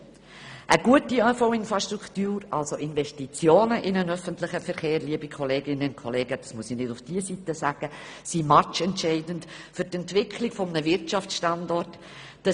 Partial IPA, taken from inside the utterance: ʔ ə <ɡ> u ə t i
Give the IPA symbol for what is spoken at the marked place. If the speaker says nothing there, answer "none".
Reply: ɡ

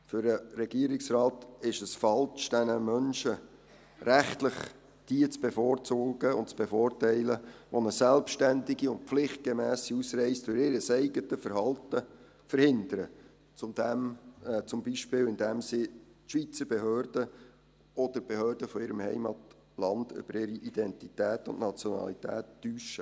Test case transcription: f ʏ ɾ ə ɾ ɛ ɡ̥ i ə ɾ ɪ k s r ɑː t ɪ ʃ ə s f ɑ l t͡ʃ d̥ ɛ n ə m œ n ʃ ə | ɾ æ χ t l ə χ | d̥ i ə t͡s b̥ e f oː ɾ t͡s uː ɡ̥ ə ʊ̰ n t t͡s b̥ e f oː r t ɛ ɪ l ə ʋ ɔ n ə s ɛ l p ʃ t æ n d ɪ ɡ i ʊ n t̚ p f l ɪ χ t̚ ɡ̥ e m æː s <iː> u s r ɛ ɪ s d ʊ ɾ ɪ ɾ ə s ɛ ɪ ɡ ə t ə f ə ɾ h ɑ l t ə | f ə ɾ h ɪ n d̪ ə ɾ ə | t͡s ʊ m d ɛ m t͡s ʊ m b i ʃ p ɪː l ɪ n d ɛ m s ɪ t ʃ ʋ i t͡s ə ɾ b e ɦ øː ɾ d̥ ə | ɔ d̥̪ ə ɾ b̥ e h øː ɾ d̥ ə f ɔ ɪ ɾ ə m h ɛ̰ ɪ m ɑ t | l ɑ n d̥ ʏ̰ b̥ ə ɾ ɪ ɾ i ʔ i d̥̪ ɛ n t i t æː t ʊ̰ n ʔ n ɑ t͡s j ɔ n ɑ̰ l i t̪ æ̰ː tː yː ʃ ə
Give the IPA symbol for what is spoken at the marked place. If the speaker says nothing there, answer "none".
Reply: i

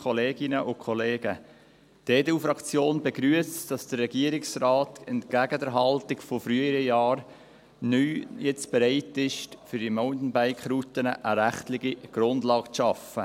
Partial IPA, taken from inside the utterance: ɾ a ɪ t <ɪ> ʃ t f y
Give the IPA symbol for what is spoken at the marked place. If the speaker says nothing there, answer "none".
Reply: ɪ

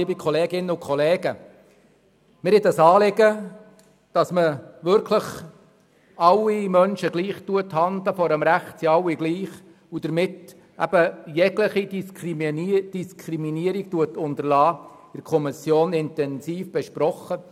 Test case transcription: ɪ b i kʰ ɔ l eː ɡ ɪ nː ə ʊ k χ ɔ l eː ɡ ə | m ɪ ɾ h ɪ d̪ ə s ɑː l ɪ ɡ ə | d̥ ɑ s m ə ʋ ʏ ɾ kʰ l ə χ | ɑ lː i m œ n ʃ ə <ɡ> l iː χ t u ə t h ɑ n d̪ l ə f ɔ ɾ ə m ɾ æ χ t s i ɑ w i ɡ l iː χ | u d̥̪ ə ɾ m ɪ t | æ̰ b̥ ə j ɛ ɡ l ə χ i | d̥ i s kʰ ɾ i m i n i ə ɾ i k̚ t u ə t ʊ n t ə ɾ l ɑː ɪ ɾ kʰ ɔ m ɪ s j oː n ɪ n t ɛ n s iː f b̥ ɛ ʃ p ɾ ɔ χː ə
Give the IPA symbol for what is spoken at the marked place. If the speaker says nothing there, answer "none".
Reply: ɡ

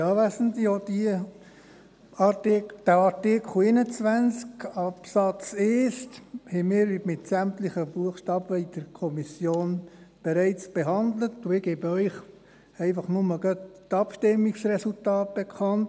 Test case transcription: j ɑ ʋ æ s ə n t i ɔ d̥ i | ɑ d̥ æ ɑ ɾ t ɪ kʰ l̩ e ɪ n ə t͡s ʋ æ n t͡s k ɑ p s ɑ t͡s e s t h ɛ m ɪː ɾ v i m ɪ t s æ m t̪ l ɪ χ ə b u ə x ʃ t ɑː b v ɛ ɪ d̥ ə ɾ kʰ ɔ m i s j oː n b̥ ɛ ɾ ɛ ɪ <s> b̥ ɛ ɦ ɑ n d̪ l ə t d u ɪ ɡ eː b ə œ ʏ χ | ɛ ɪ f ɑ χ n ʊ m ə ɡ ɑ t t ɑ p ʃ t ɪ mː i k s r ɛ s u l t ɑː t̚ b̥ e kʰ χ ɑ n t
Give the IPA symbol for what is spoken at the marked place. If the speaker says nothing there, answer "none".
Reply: t͡s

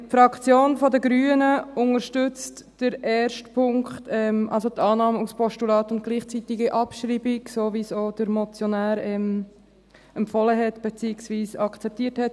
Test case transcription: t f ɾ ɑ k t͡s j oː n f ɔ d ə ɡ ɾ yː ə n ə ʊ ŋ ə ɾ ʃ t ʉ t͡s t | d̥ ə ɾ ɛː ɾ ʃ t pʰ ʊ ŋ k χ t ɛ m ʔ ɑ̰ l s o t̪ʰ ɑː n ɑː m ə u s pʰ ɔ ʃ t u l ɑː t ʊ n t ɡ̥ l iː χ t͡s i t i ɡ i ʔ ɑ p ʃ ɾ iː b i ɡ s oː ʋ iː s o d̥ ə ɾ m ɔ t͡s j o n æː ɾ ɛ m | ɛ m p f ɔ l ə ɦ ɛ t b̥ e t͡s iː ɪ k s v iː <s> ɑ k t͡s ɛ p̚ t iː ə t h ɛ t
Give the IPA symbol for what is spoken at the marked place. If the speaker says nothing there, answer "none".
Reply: s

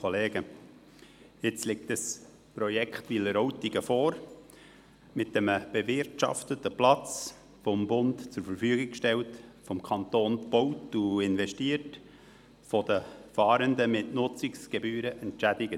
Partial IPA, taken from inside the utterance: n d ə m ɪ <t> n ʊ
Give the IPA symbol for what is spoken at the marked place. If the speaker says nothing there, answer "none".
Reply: t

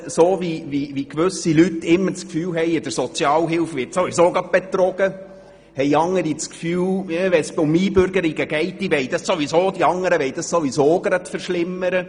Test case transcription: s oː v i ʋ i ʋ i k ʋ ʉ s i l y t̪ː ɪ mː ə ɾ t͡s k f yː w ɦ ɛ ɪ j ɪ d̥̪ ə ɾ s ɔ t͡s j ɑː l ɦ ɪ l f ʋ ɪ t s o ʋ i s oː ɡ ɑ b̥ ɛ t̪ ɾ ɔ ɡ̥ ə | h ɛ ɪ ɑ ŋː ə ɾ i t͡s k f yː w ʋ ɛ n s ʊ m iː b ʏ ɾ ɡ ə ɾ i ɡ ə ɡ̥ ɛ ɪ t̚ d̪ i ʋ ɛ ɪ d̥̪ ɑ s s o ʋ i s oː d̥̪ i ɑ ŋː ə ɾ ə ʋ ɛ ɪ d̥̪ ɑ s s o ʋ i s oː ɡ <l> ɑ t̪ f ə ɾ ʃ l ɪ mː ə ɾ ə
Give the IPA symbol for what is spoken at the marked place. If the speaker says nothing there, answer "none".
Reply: ɾ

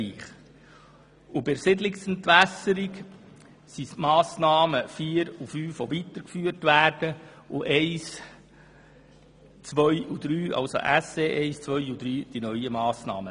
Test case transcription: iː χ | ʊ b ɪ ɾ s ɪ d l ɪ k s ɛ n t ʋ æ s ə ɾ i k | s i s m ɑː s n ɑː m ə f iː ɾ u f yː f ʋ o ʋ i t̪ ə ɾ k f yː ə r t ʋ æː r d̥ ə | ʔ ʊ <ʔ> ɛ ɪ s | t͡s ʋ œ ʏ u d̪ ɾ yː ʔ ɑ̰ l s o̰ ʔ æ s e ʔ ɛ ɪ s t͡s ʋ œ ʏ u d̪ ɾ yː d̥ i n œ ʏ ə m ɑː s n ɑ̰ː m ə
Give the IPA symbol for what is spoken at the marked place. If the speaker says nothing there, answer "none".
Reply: ʔ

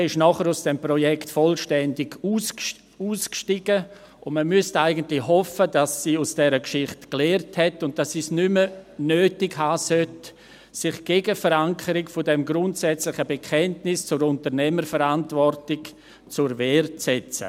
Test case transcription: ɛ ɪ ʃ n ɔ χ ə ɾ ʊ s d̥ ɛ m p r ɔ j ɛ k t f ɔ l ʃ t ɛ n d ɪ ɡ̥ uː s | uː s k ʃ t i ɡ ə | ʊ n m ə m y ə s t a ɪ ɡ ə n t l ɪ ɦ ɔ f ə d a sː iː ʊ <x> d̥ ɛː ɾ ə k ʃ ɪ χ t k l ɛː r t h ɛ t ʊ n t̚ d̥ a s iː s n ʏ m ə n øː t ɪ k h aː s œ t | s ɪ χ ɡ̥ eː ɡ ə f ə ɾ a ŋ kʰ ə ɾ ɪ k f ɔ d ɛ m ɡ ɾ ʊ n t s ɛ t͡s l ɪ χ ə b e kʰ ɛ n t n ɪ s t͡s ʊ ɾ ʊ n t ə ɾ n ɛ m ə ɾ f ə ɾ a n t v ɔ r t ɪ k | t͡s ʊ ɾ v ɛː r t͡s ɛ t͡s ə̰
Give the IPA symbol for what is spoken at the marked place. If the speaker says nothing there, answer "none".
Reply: s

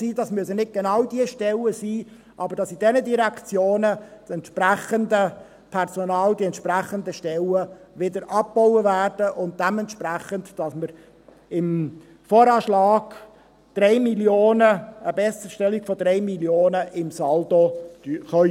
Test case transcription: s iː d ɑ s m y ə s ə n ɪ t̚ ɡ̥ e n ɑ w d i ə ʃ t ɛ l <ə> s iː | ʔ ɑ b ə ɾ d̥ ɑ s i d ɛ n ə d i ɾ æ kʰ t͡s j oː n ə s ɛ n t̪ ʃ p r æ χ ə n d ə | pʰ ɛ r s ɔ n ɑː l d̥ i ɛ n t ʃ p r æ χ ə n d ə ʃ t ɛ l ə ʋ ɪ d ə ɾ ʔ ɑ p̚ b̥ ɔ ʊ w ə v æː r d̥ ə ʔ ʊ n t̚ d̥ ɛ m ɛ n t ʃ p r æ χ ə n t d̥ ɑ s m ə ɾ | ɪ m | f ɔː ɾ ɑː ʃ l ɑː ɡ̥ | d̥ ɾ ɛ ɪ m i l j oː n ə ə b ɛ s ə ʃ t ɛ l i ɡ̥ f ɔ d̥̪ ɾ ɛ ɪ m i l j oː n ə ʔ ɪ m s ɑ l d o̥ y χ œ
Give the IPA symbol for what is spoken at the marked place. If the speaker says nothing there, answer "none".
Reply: ə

